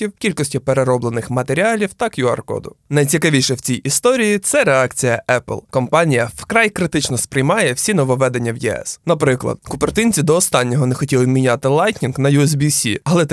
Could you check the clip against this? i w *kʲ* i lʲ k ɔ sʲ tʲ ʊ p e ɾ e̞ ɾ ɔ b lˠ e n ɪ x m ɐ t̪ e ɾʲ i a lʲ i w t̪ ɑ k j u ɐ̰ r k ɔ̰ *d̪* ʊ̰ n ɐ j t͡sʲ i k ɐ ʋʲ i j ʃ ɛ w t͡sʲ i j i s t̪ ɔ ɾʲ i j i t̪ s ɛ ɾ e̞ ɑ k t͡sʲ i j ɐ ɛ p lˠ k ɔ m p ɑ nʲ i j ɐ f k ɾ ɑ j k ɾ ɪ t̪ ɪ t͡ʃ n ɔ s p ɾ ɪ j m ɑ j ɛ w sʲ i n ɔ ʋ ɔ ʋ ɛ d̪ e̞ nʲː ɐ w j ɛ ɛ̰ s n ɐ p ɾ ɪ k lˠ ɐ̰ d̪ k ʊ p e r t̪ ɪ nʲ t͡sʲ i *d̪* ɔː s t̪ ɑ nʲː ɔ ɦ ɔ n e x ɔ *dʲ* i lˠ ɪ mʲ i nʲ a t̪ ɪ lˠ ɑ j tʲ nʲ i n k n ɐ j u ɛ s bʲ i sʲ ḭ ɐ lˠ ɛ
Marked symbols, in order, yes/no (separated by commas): yes, yes, yes, no